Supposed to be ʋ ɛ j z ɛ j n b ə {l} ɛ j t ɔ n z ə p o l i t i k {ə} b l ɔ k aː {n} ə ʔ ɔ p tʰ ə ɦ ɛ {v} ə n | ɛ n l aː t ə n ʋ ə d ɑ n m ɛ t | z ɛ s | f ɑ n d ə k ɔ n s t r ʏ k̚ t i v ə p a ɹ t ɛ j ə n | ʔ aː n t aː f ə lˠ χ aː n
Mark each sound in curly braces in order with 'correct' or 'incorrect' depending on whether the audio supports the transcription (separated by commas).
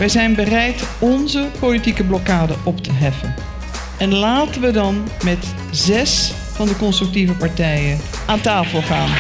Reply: incorrect, correct, incorrect, incorrect